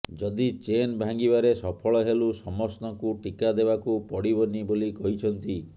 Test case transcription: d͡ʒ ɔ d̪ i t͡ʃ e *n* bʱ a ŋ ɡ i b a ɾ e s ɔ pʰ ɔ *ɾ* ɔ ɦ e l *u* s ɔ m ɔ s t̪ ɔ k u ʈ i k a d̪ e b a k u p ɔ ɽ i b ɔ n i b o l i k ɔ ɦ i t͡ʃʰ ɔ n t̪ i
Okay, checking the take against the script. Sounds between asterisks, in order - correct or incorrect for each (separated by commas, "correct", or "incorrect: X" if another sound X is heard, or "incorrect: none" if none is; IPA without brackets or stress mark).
correct, incorrect: ɭ, correct